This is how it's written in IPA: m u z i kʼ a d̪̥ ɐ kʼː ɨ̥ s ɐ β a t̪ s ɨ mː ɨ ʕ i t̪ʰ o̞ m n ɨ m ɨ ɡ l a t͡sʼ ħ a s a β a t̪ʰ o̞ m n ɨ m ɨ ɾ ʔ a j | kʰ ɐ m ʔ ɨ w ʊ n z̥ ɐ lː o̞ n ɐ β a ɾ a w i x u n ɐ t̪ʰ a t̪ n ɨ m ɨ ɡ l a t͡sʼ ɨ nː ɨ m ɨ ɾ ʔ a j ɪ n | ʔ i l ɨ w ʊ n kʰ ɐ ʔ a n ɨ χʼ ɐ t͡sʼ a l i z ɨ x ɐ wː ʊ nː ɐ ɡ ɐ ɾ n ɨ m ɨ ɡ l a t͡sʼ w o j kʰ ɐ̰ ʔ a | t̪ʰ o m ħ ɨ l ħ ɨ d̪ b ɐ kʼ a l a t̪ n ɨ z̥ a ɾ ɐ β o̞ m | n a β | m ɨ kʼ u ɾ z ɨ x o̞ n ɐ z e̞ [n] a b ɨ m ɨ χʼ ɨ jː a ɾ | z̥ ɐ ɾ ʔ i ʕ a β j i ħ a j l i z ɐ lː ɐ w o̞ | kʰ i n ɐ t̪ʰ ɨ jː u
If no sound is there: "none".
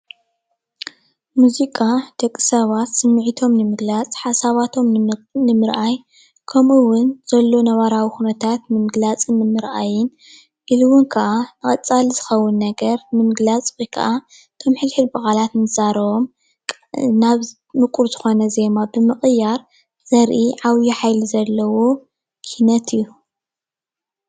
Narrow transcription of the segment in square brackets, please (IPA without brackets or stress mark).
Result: m